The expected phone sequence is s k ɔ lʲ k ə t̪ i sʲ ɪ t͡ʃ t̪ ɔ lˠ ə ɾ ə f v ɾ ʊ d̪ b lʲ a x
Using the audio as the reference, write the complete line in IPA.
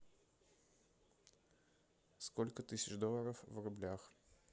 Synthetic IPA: s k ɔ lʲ k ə t̪ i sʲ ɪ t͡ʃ d̪ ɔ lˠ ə ɾ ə f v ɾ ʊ b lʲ a x